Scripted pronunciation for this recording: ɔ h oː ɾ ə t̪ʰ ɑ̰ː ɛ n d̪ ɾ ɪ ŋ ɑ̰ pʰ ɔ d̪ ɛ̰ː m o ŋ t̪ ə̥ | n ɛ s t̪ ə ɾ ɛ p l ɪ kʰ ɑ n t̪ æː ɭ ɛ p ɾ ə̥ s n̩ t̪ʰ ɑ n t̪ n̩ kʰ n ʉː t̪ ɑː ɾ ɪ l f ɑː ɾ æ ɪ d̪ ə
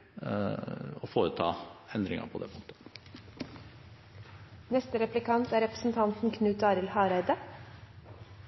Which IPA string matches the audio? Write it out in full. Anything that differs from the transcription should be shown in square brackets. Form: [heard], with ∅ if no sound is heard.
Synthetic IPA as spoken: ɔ [f] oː ɾ ə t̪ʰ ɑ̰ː ɛ n d̪ ɾ ɪ ŋ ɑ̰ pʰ ɔ d̪ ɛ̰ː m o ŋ t̪ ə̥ | n ɛ s t̪ ə ɾ ɛ p l ɪ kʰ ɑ n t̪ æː [ɾ] ɛ p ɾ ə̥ s n̩ t̪ʰ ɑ n t̪ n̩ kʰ n ʉː t̪ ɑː ɾ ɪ l [h] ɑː ɾ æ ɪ d̪ ə